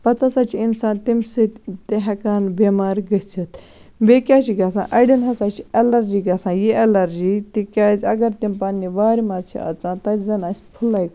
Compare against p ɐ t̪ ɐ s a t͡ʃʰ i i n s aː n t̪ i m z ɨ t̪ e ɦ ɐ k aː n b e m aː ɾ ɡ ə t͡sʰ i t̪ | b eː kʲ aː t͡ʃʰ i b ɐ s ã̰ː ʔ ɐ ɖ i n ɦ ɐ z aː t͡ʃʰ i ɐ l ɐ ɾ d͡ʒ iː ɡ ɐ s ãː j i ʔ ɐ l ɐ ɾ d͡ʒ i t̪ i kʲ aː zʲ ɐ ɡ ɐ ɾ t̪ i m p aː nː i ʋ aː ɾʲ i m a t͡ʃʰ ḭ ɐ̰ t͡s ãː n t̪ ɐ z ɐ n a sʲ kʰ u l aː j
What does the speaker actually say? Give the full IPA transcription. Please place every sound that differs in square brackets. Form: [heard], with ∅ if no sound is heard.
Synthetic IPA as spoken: p ɐ t̪ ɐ s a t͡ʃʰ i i n s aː n t̪ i m [s] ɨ t̪ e ɦ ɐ k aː n b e m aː ɾ ɡ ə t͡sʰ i t̪ | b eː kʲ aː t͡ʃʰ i [ɡ] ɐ s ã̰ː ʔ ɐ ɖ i n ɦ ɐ [s] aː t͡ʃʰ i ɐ l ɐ ɾ d͡ʒ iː ɡ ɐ s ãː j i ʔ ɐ l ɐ ɾ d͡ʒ i t̪ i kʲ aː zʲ ɐ ɡ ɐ ɾ t̪ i m p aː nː i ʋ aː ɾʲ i m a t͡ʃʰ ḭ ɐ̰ t͡s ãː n t̪ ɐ z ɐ n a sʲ [pʰ] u l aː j